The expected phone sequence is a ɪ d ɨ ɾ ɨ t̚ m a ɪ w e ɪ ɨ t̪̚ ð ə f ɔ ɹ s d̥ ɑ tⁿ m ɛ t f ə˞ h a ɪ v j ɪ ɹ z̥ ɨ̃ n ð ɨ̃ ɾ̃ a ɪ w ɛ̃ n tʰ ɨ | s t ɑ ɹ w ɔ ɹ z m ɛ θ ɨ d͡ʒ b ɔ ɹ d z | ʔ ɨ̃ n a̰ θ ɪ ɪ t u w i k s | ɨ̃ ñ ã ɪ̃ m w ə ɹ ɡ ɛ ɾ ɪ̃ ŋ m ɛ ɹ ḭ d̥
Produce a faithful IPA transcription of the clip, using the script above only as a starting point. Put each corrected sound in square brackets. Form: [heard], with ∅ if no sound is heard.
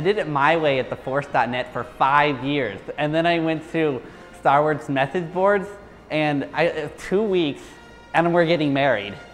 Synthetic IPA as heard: a ɪ d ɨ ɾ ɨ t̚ m a ɪ w e ɪ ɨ t̪̚ ð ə f ɔ ɹ s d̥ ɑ tⁿ [n] ɛ t f ə˞ [f] a ɪ v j ɪ ɹ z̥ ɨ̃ n ð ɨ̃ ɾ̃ a ɪ w ɛ̃ n tʰ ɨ | s t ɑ ɹ w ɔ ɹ z m ɛ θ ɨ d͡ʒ b ɔ ɹ d z | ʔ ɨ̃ n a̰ [∅] ɪ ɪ [tʰ] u w i k s | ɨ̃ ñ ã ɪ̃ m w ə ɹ ɡ ɛ ɾ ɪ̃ ŋ m ɛ ɹ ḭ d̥